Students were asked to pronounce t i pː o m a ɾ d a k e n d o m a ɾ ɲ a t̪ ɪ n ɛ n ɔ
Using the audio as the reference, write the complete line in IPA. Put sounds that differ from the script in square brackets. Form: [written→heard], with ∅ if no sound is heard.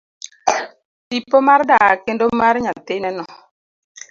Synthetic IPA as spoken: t i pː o m a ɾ d a k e n d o m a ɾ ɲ a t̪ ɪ n ɛ n ɔ